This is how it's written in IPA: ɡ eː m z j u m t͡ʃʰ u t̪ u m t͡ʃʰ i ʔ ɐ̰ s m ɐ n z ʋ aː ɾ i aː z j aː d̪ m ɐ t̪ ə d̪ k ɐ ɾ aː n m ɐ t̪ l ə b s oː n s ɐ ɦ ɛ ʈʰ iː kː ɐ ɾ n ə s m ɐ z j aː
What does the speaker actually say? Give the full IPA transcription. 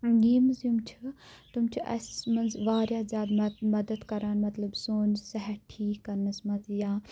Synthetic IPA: ɡ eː m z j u m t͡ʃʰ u t̪ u m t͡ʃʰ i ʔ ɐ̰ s m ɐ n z ʋ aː ɾ j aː z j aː d̪ m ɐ d̪ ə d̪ k ɐ ɾ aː n m ɐ t̪ l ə b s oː n s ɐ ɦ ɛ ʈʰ iː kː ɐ ɾ n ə s m ɐ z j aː

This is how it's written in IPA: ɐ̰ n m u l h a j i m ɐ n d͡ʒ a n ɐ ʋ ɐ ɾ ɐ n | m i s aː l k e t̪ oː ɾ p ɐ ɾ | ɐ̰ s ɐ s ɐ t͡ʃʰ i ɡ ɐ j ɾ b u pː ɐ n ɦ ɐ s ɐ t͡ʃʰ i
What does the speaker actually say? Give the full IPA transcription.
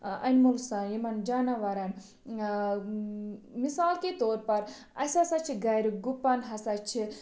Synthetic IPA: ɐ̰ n m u l s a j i m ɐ n d͡ʒ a n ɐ ʋ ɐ ɾ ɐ n | m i s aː l k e t̪ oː ɾ p ɐ ɾ | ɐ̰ s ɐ s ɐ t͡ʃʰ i ɡ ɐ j ɾ ɡ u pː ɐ n ɦ ɐ s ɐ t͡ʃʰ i

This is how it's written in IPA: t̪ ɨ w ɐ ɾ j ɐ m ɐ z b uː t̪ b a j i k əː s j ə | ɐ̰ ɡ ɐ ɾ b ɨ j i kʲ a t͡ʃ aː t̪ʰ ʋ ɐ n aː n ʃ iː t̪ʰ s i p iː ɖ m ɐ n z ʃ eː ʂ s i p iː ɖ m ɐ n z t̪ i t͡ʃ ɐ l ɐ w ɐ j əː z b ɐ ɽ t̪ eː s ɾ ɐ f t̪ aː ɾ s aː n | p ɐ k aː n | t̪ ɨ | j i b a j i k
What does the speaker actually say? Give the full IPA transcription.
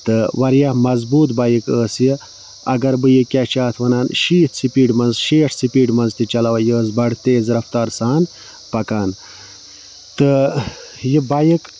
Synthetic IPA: t̪ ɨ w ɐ ɾ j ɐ m ɐ z b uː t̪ b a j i k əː s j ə | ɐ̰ ɡ ɐ ɾ b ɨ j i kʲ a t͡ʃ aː t̪ʰ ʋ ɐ n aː n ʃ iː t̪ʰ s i p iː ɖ m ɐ n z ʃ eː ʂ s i p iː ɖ m ɐ n z t̪ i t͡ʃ ɐ l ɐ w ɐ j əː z b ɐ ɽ t̪ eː z ɾ ɐ f t̪ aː ɾ s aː n | p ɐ k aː n | t̪ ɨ | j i b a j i k

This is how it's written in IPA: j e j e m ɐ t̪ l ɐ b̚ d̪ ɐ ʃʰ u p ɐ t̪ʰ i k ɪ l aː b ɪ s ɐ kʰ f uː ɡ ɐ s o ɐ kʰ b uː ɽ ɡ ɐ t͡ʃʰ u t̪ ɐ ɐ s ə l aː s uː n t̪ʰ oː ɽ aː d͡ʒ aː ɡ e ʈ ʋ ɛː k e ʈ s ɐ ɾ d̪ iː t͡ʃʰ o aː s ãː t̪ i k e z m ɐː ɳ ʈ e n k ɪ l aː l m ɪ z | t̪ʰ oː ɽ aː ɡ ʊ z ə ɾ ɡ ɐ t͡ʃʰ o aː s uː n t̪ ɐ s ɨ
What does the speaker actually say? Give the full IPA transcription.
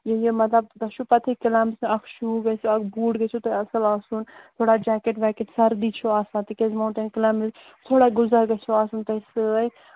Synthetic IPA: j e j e m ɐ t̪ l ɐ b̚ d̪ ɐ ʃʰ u p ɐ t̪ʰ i k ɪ l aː m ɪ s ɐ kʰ ʃ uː ɡ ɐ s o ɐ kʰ b uː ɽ ɡ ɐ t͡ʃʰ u t̪ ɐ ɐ s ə l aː s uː n t̪ʰ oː ɽ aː d͡ʒ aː k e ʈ ʋ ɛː k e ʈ s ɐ ɾ d̪ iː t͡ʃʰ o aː s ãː t̪ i k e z m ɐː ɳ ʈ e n k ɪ l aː m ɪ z | t̪ʰ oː ɽ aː ɡ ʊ z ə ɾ ɡ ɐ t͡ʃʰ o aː s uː n t̪ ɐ s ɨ

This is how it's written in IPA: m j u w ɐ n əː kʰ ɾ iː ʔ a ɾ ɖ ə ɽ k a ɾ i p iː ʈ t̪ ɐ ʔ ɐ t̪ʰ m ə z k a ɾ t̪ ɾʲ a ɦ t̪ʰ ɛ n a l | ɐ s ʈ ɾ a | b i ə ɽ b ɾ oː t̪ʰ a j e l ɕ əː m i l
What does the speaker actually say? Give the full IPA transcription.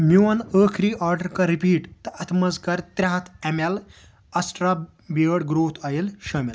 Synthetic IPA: m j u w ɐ n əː kʰ ɾ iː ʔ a ɾ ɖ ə ɾ k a ɾ i p iː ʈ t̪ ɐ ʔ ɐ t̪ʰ m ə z k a ɾ t̪ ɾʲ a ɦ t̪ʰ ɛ m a l | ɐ s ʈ ɾ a | b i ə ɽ ɡ ɾ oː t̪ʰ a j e l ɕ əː m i l

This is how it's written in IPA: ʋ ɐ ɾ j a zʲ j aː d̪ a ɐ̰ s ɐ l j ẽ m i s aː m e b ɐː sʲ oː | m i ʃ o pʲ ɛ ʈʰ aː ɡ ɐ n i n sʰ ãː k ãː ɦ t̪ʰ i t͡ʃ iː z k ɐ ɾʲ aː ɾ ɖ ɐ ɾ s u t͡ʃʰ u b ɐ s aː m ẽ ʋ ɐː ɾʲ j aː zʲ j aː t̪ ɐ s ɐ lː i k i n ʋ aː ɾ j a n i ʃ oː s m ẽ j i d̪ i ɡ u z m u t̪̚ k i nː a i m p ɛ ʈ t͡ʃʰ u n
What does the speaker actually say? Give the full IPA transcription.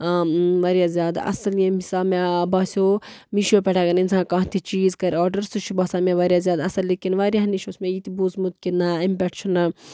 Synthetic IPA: ʋ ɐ ɾ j a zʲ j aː d̪ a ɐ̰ s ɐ l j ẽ m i s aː m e b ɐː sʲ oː | m i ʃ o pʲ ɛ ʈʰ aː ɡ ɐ n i n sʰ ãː k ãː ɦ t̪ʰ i t͡ʃ iː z k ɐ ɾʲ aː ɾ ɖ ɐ ɾ s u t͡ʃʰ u b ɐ s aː m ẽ ʋ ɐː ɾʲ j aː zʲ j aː d̪ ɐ s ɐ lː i k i n ʋ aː ɾ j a n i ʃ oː s m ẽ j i t̪ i b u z m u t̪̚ k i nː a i m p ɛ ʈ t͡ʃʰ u n

